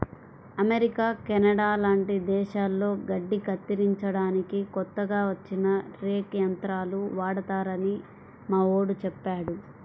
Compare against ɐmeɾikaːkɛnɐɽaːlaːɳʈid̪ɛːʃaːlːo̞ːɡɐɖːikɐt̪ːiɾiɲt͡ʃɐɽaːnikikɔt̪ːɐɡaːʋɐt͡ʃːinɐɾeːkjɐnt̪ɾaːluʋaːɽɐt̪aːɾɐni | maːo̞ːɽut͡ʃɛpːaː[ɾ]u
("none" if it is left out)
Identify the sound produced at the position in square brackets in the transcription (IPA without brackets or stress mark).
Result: ɽ